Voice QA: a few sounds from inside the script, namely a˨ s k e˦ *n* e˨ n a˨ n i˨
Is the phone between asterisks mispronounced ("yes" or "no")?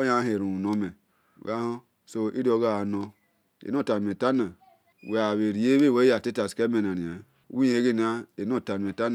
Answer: yes